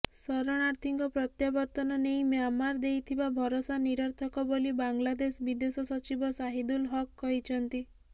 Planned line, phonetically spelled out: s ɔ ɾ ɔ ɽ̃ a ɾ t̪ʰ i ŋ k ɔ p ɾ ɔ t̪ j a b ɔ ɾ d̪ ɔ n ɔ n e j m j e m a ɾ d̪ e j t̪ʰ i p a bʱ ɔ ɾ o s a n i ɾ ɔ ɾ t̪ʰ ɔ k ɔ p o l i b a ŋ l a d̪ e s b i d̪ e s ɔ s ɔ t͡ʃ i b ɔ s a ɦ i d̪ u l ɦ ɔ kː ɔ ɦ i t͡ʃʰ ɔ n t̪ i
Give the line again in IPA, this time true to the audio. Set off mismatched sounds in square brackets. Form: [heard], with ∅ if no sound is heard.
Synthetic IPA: s ɔ ɾ ɔ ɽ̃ a ɾ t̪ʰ i ŋ k ɔ p ɾ ɔ t̪ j a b ɔ ɾ [t̪] ɔ n ɔ n e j m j [a] m a ɾ d̪ e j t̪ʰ i [b] a bʱ ɔ ɾ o s a n i ɾ ɔ ɾ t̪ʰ ɔ k ɔ [b] o l i b a ŋ l a d̪ e s b i d̪ e s ɔ s ɔ t͡ʃ i b ɔ s a ɦ i d̪ u l ɦ ɔ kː ɔ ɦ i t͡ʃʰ ɔ n t̪ i